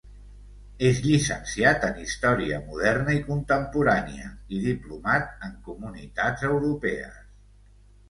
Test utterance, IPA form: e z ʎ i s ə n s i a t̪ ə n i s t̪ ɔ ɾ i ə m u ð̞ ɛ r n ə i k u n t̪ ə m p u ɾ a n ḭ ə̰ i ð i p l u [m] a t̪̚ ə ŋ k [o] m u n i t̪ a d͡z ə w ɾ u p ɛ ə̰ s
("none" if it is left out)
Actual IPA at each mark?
m, u

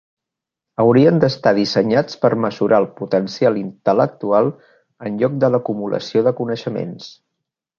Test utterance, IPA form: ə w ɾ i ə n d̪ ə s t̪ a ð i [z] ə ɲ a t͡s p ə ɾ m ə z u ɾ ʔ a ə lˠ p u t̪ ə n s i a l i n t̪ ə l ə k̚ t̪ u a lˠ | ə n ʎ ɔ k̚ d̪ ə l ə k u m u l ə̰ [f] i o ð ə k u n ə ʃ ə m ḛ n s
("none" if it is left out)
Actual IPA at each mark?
s, s

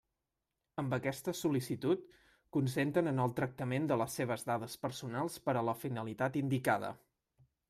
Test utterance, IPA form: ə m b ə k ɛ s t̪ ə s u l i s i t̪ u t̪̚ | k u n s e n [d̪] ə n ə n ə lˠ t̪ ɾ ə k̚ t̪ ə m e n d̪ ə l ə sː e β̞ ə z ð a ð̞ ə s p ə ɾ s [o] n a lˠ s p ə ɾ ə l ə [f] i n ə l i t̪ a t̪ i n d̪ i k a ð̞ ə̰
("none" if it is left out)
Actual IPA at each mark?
t̪, u, f

